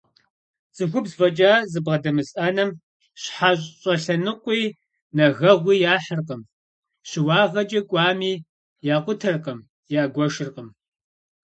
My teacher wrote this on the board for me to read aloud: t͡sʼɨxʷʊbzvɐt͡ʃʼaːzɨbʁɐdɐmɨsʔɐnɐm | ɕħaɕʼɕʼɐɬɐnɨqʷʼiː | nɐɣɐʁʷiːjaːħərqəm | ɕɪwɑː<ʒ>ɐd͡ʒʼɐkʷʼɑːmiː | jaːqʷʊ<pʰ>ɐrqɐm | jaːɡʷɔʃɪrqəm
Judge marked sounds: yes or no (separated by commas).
no, no